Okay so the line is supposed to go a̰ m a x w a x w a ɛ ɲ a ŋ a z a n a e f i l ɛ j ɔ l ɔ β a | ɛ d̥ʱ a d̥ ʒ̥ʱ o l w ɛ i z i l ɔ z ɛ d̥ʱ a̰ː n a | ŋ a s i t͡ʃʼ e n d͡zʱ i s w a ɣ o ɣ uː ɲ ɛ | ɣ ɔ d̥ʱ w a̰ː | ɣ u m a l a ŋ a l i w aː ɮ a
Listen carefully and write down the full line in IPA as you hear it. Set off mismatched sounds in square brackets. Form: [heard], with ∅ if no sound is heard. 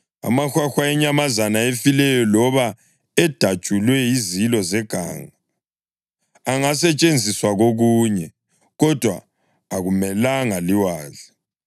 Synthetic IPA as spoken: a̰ m a x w a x w a ɛ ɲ a [m] a z a n a e f i l ɛ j ɔ l ɔ β a | ɛ d̥ʱ a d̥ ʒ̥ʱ [u] l w ɛ i z i l ɔ z ɛ [ɡ̥ʱ] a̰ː [ŋ] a | ŋ a s [ɛ] t͡ʃʼ e n d͡zʱ i s w a ɣ o ɣ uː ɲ ɛ | ɣ ɔ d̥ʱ w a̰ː | ɣ u m [ɛ] l a ŋ a l i w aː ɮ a